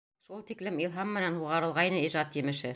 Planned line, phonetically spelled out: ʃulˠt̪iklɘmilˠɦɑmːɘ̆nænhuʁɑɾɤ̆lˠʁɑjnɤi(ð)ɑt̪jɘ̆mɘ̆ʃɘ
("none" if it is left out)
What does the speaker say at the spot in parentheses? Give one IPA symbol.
ʒ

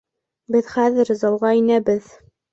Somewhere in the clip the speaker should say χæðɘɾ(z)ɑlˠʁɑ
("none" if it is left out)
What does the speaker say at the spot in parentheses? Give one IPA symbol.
z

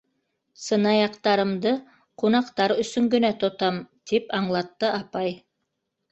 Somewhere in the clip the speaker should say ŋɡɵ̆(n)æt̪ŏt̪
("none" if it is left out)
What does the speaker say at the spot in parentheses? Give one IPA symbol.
n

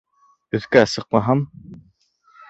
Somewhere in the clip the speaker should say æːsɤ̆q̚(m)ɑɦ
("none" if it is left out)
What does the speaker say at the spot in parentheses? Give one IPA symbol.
m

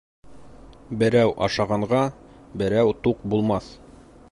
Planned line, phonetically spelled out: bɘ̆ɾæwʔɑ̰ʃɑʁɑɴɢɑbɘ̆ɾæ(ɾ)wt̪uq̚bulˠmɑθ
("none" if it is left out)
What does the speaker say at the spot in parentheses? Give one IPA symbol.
none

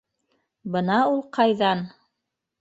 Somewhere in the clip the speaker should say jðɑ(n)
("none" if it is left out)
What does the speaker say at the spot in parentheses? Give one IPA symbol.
n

